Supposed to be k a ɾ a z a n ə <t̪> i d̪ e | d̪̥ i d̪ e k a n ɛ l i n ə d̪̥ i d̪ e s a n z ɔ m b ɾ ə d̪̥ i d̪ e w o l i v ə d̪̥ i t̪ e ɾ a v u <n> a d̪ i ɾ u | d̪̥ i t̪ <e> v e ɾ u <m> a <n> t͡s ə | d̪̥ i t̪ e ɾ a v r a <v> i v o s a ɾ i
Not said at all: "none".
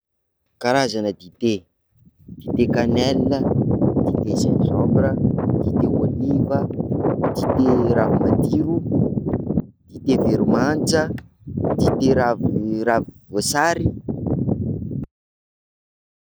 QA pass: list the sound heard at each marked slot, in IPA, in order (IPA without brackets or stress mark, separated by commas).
d̪, m, e, m, n, v